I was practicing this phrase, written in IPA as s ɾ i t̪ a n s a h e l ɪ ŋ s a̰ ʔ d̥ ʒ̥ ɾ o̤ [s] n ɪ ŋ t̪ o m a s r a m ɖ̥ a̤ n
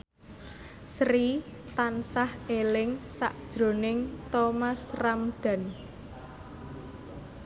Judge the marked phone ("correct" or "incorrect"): incorrect